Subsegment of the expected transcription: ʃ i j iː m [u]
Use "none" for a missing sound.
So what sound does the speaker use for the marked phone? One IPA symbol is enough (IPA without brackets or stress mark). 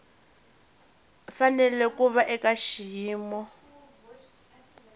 ɔ